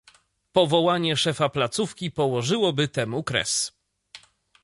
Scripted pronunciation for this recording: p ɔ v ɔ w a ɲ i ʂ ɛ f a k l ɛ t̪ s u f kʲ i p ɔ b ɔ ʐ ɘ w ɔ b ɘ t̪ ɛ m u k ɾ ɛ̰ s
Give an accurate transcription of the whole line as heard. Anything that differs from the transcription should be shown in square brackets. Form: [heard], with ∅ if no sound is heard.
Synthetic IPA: p ɔ v ɔ w a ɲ [ɛ] ʂ ɛ f a [p] l [a] t̪ s u f kʲ i p ɔ [w] ɔ ʐ ɘ w ɔ b ɘ t̪ ɛ m u k ɾ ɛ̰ s